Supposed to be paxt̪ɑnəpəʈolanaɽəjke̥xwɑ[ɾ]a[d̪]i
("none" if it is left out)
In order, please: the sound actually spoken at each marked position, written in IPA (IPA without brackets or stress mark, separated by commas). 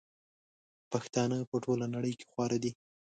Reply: ɾ, d̪